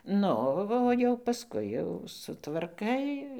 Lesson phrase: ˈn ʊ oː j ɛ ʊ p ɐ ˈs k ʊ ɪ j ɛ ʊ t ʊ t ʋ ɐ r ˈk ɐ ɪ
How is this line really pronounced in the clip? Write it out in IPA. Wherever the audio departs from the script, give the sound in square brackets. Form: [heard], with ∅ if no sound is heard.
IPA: ˈn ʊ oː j ɛ ʊ p ɐ ˈs k ʊ ɪ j ɛ ʊ [s] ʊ t ʋ ɐ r ˈk ɐ ɪ